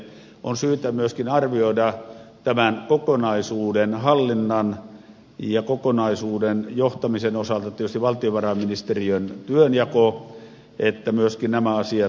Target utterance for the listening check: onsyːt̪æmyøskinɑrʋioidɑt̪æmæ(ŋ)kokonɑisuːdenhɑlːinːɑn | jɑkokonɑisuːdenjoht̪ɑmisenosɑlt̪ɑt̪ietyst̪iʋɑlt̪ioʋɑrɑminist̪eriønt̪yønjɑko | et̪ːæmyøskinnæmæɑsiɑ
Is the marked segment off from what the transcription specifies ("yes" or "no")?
yes